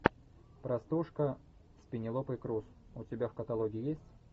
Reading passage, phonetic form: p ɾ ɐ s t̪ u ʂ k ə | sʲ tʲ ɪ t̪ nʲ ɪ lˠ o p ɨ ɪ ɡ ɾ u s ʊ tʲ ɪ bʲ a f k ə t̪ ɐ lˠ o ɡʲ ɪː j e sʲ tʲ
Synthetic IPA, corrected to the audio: p ɾ ɐ s t̪ u ʂ k ə | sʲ pʲ ɪ nʲ ɪ lˠ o p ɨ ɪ k ɾ u s ʊ tʲ ɪ bʲ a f k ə t̪ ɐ lˠ o ɡʲ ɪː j e sʲ tʲ